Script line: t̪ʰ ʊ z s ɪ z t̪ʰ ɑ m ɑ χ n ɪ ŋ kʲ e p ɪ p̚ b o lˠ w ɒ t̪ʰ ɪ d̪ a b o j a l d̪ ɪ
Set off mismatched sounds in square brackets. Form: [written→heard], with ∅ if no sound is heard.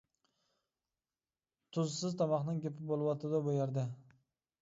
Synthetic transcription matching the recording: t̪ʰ ʊ z s ɪ z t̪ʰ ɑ m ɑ χ n ɪ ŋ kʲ e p ɪ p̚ b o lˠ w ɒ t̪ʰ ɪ d̪ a b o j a [l→ɾ] d̪ ɪ

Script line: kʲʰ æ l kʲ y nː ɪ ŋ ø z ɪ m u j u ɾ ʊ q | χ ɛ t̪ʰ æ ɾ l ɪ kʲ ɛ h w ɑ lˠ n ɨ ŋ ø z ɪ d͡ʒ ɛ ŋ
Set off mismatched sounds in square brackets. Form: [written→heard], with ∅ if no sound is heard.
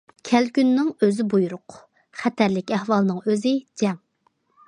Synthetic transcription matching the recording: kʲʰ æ l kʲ y nː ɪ ŋ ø z ɪ [m→b] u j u ɾ ʊ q | χ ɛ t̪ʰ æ ɾ l ɪ kʲ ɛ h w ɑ lˠ n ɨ ŋ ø z ɪ d͡ʒ ɛ ŋ

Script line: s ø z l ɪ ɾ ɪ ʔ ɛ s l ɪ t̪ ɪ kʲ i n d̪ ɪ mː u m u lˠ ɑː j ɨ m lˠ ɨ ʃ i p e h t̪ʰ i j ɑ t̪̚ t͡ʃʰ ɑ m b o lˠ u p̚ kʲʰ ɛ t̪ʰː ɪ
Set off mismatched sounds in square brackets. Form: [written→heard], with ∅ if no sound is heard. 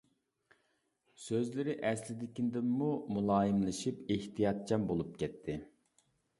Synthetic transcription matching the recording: s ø z l ɪ ɾ ɪ ʔ ɛ s l ɪ [t̪→d̪] ɪ kʲ i n d̪ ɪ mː u m u lˠ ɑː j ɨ m lˠ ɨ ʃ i p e h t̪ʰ i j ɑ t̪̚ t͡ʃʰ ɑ m b o lˠ u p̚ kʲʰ ɛ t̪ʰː ɪ

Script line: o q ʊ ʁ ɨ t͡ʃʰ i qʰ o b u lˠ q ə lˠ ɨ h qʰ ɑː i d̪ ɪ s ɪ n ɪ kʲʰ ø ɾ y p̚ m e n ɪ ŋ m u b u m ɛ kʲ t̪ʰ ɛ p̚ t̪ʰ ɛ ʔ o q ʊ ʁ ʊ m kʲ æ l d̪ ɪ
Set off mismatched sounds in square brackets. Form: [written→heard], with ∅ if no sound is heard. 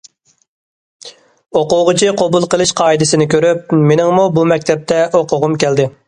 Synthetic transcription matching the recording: o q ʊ ʁ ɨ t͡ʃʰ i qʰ o b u lˠ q ə lˠ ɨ [h→ʃ] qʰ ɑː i d̪ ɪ s ɪ n ɪ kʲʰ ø ɾ y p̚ m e n ɪ ŋ m u b u m ɛ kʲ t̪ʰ ɛ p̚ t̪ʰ ɛ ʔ o q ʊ ʁ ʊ m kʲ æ l d̪ ɪ

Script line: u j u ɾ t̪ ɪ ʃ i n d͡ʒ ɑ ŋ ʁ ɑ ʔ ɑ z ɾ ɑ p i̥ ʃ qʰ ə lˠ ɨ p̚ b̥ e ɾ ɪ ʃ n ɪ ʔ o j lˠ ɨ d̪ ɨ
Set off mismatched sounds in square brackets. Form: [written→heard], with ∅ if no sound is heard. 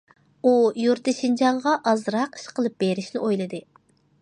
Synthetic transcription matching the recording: u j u ɾ t̪ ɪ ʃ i n d͡ʒ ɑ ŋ ʁ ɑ ʔ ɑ z ɾ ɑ [p→q] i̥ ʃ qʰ ə lˠ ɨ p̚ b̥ e ɾ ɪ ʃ n ɪ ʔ o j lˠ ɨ d̪ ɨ

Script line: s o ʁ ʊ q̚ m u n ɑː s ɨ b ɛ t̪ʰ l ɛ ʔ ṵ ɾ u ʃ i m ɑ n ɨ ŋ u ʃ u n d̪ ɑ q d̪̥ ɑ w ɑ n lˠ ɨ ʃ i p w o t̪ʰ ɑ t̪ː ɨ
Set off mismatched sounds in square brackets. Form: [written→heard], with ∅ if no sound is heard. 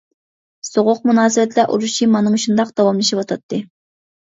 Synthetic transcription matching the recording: s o ʁ ʊ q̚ m u n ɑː s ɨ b ɛ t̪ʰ l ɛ ʔ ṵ ɾ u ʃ i m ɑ n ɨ ŋ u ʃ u n d̪ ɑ q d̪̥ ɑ w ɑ [n→m] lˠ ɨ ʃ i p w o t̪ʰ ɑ t̪ː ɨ

